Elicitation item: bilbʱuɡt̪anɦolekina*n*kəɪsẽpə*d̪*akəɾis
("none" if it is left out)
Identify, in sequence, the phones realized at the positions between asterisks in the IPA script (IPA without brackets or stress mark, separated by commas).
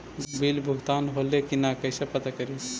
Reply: none, t̪